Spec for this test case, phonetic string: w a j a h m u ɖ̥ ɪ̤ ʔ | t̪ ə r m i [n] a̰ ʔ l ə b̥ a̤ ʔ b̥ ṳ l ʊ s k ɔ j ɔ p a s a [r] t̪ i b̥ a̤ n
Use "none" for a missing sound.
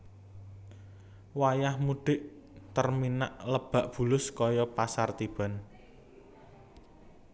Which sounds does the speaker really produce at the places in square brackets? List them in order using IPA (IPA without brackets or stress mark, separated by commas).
n, r